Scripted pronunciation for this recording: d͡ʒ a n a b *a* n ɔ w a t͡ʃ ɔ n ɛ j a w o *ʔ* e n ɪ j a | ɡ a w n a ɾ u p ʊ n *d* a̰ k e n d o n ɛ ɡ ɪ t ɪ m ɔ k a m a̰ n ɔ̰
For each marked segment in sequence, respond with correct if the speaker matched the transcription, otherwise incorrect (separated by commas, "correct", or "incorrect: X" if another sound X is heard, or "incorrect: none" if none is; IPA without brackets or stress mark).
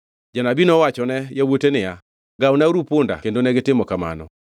incorrect: i, incorrect: t, correct